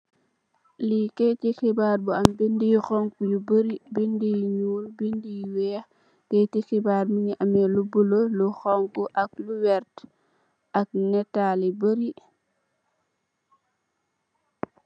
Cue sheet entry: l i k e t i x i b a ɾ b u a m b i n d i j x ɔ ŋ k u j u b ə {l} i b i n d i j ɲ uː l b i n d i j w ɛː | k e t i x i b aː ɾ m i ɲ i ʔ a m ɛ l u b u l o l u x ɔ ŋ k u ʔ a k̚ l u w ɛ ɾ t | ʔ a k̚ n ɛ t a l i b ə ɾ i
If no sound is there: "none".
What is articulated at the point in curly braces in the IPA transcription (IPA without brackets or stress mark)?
ɾ